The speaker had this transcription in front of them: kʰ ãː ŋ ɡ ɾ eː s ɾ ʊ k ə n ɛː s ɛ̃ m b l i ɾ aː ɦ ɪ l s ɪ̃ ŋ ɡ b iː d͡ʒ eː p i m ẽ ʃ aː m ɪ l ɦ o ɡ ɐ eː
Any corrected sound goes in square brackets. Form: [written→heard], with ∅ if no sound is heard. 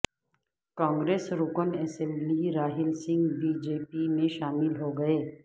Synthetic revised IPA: [kʰ→k] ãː ŋ ɡ ɾ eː s ɾ ʊ k ə n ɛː s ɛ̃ m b l i ɾ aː ɦ ɪ l s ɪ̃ ŋ ɡ b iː d͡ʒ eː p i m ẽ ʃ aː m ɪ l ɦ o ɡ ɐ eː